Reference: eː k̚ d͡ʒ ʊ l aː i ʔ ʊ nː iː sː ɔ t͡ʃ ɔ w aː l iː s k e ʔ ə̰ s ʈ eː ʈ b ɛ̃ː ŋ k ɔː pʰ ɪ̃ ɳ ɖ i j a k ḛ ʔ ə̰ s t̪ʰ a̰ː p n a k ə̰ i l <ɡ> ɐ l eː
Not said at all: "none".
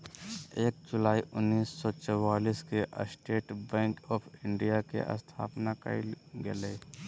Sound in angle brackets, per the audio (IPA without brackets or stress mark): ɡ